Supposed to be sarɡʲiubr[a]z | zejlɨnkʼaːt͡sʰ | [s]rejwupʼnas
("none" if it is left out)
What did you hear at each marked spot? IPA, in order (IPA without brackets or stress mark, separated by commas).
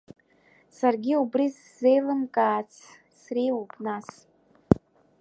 i, s